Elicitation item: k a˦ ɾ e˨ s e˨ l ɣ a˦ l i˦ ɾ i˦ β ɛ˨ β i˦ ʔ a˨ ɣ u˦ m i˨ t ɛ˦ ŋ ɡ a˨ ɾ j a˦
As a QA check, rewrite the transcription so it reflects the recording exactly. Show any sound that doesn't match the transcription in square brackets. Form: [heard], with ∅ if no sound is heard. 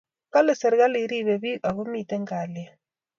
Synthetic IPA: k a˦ [l] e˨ s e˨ [ɾ] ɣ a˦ l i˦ ɾ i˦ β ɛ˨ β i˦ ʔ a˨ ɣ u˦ m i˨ t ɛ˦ ŋ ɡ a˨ [l] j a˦